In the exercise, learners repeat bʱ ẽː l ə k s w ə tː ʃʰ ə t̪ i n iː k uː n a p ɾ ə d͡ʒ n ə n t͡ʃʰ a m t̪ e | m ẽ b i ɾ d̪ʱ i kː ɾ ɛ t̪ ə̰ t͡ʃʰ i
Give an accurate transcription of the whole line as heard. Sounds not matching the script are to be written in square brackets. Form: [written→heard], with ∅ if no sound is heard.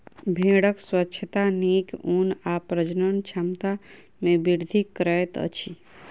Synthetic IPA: bʱ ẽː [l→ɽ] ə k s w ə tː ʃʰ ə t̪ [i→a] n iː k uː n a p ɾ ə d͡ʒ n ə n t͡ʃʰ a m t̪ [e→a] | m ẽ b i ɾ d̪ʱ i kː ɾ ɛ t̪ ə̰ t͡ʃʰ i

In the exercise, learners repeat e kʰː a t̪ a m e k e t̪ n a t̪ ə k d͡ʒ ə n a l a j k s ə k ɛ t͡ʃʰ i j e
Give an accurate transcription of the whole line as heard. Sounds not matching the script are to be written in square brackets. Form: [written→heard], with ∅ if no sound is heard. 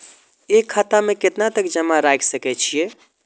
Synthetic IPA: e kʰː a t̪ a m e k e t̪ n a t̪ ə k d͡ʒ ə [n→m] a [l→ɾ] a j k s ə k ɛ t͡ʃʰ i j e

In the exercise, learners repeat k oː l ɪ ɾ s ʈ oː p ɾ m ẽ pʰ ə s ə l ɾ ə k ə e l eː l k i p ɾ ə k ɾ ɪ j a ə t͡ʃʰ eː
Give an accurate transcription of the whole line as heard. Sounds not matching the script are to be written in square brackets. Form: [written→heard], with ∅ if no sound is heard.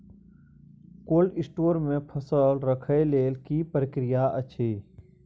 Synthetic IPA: k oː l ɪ [ɾ→∅] s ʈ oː [p→∅] ɾ m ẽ pʰ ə s ə l ɾ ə [k→kʰ] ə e l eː l k i p ɾ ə k ɾ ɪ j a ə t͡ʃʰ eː

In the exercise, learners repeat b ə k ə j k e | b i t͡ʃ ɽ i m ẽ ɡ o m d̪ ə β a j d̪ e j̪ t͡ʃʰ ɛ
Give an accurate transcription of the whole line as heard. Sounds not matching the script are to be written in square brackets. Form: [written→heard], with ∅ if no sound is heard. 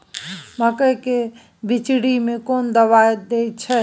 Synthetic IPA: [b→m] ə k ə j k e | b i t͡ʃ ɽ i m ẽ [ɡ→k] o [m→n] d̪ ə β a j d̪ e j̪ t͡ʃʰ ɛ

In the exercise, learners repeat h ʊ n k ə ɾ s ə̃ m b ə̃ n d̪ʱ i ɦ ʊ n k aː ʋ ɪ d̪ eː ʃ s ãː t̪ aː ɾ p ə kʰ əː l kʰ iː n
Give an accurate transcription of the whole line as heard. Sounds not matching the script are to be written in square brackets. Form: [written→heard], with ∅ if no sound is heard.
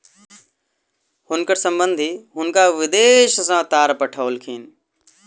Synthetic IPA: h ʊ n k ə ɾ s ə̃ m b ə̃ n d̪ʱ i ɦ ʊ n k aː ʋ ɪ d̪ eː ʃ s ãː t̪ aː ɾ p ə [kʰ→ʈʰ] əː l kʰ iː n

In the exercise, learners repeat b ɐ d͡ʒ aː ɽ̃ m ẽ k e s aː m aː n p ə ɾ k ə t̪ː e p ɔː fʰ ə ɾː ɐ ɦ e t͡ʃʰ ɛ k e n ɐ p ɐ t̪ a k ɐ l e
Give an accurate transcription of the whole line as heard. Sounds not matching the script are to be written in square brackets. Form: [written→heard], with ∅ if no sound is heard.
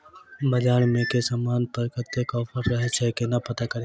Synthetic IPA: b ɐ d͡ʒ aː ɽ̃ m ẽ k e s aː m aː n p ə ɾ k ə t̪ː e [p→k] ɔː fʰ ə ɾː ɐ ɦ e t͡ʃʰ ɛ k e n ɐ p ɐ t̪ a k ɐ [l→ɾ] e

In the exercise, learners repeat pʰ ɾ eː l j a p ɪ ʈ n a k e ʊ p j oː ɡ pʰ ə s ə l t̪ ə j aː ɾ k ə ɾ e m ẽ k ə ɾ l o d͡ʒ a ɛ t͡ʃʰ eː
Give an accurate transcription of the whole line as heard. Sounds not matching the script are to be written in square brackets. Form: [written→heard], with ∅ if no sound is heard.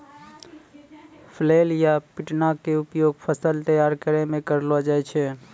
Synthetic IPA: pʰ [ɾ→l] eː l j a p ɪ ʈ n a k e ʊ p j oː ɡ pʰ ə s ə l t̪ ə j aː ɾ k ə ɾ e m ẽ k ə ɾ l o d͡ʒ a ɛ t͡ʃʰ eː

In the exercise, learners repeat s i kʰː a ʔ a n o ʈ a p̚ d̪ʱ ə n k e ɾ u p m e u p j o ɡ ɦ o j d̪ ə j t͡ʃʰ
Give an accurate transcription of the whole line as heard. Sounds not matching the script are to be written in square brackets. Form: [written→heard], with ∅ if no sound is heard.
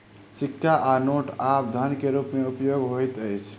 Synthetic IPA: s i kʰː a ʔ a n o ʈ a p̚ d̪ʱ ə n k e ɾ u p m e u p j o ɡ ɦ o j [d̪→t̪] ə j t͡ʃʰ

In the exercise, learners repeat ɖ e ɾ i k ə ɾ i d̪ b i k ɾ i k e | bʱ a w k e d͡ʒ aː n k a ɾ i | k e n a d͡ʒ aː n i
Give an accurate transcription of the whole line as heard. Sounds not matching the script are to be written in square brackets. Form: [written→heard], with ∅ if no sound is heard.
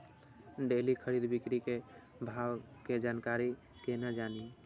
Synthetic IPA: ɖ e [ɾ→l] i [k→kʰ] ə ɾ i d̪ b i k ɾ i k e | bʱ a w k e d͡ʒ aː n k a ɾ i | k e n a d͡ʒ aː n i

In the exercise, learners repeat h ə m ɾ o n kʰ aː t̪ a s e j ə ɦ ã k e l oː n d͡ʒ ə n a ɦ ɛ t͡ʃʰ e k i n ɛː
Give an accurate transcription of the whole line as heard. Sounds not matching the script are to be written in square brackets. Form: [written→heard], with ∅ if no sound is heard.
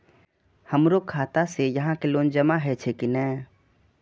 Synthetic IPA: h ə m ɾ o [n→∅] kʰ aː t̪ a s e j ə ɦ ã k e l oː n d͡ʒ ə [n→m] a ɦ ɛ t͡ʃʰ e k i n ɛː

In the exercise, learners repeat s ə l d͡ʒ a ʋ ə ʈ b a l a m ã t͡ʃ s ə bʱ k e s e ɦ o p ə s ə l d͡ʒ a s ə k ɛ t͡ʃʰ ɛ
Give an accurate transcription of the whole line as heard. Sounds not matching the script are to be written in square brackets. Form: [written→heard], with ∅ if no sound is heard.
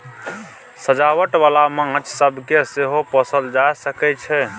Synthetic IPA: s ə [l→∅] d͡ʒ a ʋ ə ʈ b a l a m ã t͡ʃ s ə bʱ k e s e ɦ o p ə s ə l d͡ʒ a s ə k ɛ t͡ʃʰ ɛ

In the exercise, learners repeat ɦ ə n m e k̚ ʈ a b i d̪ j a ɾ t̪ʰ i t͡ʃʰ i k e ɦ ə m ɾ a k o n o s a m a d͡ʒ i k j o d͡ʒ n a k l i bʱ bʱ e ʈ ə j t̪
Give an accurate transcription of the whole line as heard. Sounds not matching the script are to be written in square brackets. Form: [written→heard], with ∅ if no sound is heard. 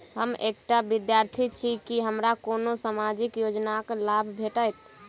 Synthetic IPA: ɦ ə [n→∅] m e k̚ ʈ a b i d̪ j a ɾ t̪ʰ i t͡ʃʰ i k [e→i] ɦ ə m ɾ a k o n o s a m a d͡ʒ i k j o d͡ʒ n a k l [i→a] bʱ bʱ e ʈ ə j t̪

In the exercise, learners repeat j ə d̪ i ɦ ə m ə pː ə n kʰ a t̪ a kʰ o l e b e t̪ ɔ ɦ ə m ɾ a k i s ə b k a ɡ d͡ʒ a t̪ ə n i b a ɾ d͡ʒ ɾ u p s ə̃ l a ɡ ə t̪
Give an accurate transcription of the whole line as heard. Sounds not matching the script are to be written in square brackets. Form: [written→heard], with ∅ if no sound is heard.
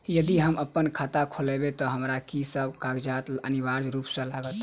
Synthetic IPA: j ə d̪ i ɦ ə m ə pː ə n kʰ a t̪ a kʰ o l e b e t̪ ɔ ɦ ə m ɾ a k i s ə b k a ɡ d͡ʒ a t̪ ə n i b a ɾ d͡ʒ ɾ u p s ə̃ l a ɡ ə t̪

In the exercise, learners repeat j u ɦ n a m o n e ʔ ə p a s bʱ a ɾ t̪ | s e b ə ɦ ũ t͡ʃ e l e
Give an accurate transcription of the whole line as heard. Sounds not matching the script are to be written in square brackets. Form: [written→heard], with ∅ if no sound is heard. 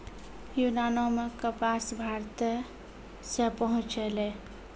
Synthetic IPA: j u [ɦ→∅] n a [m→n] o [n→m] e [ʔ→k] ə p a s bʱ a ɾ t̪ | s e [b→p] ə ɦ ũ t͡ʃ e l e

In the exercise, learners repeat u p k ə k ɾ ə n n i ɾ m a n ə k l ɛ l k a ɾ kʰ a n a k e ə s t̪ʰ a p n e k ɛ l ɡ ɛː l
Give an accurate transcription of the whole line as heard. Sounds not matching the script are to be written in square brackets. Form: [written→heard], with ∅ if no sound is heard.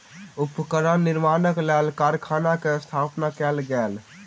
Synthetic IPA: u p k ə [k→∅] ɾ ə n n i ɾ m a n ə k l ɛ l k a ɾ kʰ a n a k e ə s t̪ʰ a p n [e→a] k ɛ l ɡ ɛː l

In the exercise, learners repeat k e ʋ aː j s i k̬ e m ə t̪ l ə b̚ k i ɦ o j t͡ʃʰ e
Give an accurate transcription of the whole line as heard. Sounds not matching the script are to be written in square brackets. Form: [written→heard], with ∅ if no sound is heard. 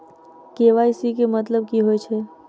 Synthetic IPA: k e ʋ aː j s i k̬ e m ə t̪ l ə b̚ k i ɦ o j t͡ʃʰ e

